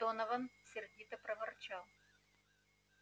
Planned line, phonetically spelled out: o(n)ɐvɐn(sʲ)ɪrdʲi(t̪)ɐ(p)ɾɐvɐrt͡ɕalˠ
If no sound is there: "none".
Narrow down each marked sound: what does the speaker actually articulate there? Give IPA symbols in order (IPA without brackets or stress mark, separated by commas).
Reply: n, sʲ, t̪, p